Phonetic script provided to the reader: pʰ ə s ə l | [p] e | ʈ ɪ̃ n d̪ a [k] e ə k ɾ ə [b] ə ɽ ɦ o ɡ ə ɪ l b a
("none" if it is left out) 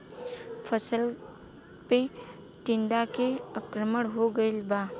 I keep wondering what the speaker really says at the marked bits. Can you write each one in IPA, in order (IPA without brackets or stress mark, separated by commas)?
p, k, m